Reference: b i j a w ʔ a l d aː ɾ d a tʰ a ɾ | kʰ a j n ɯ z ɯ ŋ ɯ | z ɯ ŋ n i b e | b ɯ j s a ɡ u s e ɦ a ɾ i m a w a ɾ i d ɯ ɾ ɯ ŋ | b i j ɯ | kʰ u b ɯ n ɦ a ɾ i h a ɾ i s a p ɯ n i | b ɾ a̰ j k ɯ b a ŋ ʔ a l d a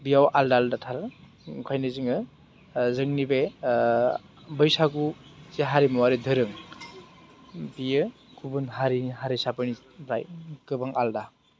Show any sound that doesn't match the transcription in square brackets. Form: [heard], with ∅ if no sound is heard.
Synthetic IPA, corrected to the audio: b i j a w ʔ a l d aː [l] d a tʰ a ɾ | kʰ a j n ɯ z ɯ ŋ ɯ | z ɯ ŋ n i b e | b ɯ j s a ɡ u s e ɦ a ɾ i m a w a ɾ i d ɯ ɾ ɯ ŋ | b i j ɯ | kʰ u b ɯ n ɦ a ɾ i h a ɾ i s a p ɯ n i | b ɾ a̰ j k ɯ b a ŋ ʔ a l d a